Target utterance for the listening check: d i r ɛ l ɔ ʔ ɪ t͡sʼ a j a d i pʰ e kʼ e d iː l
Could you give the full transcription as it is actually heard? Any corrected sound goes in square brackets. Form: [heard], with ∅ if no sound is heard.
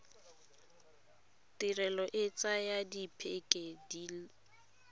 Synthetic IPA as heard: [t] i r ɛ l ɔ ʔ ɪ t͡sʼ a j a d i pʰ e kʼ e d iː l